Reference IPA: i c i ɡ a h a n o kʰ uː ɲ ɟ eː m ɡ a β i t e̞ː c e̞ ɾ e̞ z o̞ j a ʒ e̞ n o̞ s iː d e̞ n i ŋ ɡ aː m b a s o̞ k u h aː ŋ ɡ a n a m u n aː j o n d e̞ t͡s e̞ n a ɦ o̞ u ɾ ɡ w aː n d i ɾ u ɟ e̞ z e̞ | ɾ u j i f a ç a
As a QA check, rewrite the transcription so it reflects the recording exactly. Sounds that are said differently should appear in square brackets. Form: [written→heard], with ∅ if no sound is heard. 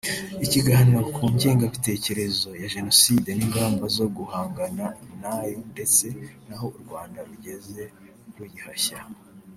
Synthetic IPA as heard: i c i ɡ a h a n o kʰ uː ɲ ɟ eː [m→ŋ] ɡ a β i t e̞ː c e̞ ɾ e̞ z o̞ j a ʒ e̞ n o̞ s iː d e̞ n i ŋ ɡ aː m b a [s→z] o̞ [k→ɡ] u h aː ŋ ɡ a n a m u n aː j o n d e̞ t͡s e̞ n a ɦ o̞ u ɾ ɡ w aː n d [i→a] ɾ u ɟ e̞ z e̞ | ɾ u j i [f→h] a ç a

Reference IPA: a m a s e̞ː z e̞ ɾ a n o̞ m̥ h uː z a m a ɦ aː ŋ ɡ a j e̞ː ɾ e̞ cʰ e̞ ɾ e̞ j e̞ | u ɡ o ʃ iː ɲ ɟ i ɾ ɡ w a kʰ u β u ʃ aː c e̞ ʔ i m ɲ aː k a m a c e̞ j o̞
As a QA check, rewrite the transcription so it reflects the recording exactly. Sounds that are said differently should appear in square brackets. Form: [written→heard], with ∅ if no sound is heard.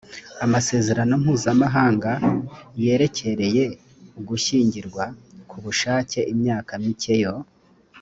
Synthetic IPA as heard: a m a s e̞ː z e̞ ɾ a n o̞ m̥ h uː z a m a ɦ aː ŋ ɡ a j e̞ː ɾ e̞ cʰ e̞ ɾ e̞ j e̞ | u ɡ [o→u] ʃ iː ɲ ɟ i ɾ ɡ w a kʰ u β u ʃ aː c e̞ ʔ i m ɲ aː k a m [a→i] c e̞ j o̞

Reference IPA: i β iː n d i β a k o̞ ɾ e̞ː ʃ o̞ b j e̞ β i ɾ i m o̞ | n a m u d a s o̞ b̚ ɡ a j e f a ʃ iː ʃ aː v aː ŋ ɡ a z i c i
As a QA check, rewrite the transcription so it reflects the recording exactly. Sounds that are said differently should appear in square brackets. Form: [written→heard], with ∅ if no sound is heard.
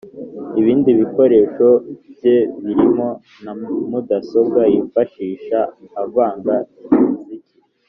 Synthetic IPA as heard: i β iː n d i β [a→i] k o̞ ɾ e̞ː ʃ o̞ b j e̞ β i ɾ i m o̞ | n a m u d a s o̞ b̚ ɡ a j [e→i] f a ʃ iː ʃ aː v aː ŋ ɡ a z i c i

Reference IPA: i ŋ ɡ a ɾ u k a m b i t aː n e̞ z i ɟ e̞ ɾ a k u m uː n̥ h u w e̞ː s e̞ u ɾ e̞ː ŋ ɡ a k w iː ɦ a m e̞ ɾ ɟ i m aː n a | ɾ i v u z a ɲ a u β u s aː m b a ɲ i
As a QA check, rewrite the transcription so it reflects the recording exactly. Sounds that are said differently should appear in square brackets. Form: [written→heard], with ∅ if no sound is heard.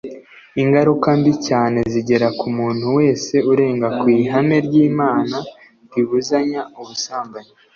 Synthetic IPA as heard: i ŋ ɡ a ɾ u k a m b i [t→c] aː n e̞ z i ɟ e̞ ɾ a k u m uː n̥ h u w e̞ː s e̞ u ɾ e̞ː ŋ ɡ a k w iː ɦ a m e̞ ɾ ɟ [i→iː] m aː n a | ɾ i [v→β] u z a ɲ a u β u s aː m b a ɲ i

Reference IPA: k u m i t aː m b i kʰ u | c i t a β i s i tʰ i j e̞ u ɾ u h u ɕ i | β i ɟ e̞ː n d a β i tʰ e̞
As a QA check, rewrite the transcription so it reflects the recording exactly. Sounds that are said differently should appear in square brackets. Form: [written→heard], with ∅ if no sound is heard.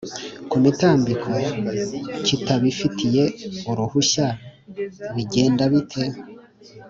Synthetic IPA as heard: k u m i t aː m b i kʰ [u→o] | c i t a β i [s→f] i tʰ i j e̞ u ɾ u h u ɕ [i→a] | β i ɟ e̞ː n d a β i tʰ e̞

